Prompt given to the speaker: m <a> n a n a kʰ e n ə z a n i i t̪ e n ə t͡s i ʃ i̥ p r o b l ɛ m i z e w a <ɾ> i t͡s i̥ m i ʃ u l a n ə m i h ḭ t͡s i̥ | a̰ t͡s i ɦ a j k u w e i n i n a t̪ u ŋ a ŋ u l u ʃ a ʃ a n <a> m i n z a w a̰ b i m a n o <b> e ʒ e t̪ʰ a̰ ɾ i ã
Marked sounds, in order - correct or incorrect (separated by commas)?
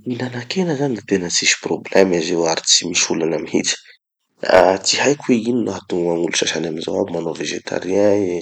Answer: incorrect, correct, correct, incorrect